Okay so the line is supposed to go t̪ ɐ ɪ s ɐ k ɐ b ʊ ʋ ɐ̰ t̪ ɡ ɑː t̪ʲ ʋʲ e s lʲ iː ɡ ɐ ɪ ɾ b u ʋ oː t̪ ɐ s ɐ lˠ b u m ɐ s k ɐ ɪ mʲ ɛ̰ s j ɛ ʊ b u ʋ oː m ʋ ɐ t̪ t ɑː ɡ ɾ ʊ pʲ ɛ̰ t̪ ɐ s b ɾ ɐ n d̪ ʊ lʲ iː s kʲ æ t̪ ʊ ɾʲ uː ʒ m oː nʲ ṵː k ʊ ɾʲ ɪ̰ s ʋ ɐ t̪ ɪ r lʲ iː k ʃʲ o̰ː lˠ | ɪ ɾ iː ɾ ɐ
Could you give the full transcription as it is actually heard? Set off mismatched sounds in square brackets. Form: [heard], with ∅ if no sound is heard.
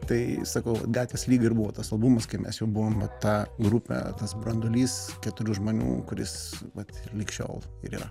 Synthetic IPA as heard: t̪ ɐ ɪ s ɐ k ɐ [∅] ʊ ʋ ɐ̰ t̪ ɡ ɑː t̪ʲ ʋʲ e s lʲ iː ɡ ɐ ɪ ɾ b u ʋ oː t̪ ɐ s ɐ lˠ b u m ɐ s k ɐ ɪ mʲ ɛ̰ s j ɛ ʊ b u ʋ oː m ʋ ɐ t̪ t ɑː ɡ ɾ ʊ pʲ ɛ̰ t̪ ɐ s b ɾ ɐ n d̪ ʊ lʲ iː s kʲ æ t̪ ʊ ɾʲ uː ʒ m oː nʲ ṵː k ʊ ɾʲ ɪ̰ s ʋ ɐ t̪ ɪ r lʲ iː k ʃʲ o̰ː lˠ | ɪ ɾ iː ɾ ɐ